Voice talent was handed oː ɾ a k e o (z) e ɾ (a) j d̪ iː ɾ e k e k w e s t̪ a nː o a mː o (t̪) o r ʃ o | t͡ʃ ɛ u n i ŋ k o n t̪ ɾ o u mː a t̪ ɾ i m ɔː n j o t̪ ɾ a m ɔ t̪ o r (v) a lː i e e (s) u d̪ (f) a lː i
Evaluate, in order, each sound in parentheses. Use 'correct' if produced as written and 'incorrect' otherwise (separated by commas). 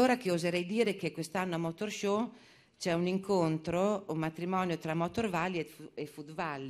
correct, incorrect, correct, correct, incorrect, incorrect